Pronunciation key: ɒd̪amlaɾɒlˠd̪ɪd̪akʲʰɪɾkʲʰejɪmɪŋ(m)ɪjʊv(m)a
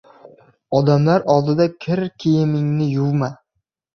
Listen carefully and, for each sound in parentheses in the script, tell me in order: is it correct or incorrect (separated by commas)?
incorrect, correct